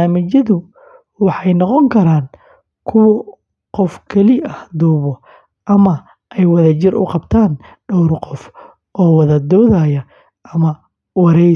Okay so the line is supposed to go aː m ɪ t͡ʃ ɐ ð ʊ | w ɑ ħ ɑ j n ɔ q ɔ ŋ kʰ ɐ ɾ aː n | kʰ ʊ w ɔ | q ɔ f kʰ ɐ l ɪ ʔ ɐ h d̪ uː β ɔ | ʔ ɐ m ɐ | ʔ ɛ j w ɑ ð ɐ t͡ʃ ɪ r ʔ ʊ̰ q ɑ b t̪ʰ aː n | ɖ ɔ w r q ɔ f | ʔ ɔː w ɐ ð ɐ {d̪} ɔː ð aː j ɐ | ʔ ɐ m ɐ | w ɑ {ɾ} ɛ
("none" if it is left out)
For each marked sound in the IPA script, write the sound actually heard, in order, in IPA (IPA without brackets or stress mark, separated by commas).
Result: d̪, ɾ